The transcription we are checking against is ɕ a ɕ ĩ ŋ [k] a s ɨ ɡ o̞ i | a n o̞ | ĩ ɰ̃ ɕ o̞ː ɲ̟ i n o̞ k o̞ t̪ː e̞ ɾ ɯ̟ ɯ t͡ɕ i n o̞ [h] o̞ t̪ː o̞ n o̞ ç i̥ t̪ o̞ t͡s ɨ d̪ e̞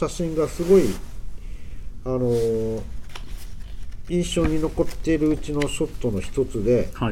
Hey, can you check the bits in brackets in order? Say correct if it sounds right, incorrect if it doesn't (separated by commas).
incorrect, incorrect